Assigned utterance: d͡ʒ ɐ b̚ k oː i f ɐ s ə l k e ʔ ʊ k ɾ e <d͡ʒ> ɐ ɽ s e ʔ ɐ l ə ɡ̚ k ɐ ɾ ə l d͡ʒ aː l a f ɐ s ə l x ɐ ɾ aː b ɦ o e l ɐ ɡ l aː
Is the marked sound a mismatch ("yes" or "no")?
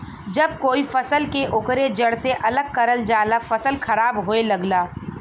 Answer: no